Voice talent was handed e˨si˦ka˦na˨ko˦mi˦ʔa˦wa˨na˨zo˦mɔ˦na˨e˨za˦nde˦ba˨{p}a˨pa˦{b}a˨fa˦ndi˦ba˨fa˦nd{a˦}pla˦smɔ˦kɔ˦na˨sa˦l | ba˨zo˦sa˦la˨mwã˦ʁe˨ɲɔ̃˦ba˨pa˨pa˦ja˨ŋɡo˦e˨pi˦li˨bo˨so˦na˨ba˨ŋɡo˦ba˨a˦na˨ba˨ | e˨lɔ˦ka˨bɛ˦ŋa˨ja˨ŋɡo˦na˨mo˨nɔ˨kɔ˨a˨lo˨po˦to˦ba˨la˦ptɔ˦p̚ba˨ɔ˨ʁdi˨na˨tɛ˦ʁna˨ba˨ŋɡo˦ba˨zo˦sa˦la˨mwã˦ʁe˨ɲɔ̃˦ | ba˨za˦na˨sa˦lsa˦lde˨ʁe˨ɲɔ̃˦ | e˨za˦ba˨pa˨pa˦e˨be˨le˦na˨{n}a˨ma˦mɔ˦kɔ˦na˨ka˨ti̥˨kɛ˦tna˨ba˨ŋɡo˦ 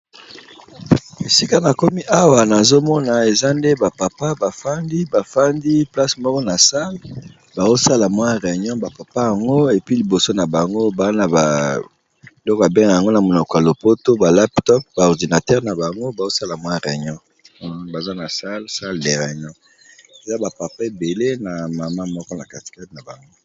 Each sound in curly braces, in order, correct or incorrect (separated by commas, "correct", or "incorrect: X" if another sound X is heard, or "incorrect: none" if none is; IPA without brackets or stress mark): correct, correct, incorrect: i˦, incorrect: m